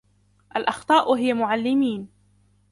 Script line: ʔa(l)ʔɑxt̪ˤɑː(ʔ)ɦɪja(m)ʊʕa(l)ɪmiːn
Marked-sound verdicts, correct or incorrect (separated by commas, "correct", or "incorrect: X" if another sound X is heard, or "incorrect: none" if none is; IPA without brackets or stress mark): correct, correct, correct, incorrect: lː